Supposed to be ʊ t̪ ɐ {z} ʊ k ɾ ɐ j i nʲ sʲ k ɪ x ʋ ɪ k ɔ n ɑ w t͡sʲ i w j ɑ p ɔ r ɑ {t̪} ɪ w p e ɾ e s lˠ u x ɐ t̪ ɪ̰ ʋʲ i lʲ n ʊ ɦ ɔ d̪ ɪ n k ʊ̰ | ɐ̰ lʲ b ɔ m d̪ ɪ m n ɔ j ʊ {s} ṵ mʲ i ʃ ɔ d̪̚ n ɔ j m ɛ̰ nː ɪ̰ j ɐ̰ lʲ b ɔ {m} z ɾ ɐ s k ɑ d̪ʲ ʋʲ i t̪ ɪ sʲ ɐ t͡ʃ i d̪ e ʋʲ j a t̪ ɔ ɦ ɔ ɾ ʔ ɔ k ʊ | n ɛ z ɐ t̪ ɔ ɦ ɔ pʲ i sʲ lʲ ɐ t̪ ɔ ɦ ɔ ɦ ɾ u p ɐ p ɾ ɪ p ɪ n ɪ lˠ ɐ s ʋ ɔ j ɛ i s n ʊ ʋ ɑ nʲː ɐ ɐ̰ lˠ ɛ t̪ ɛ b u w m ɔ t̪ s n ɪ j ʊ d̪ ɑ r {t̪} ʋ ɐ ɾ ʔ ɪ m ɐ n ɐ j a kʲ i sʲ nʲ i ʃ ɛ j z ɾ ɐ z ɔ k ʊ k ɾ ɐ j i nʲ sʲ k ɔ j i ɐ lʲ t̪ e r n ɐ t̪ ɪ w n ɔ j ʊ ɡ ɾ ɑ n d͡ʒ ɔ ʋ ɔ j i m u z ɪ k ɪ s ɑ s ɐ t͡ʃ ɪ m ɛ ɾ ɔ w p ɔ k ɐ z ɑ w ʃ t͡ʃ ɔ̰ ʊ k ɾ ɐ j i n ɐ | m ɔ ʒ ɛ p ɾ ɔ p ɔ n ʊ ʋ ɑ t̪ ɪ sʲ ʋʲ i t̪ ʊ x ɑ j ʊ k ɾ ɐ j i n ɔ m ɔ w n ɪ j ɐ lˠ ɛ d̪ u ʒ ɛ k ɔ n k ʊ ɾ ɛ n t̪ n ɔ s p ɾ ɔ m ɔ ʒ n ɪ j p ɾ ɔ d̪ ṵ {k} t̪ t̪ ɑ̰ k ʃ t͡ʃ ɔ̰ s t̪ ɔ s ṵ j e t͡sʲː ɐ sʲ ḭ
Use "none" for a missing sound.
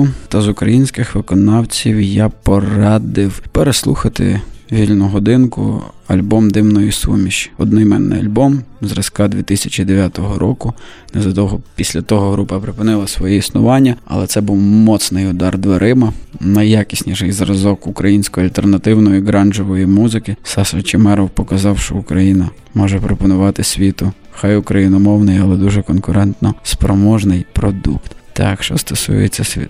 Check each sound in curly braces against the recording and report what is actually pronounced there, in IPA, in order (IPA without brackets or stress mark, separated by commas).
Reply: z, d̪, s, m, d̪, k